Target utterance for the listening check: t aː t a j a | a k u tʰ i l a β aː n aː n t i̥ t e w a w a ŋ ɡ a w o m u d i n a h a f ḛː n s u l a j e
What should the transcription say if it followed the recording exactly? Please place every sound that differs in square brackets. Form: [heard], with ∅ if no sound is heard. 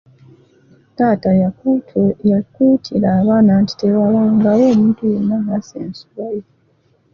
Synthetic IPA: t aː t a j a | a k u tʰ i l a β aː n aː n t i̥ t e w a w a ŋ ɡ a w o m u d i n a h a [s] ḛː n s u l a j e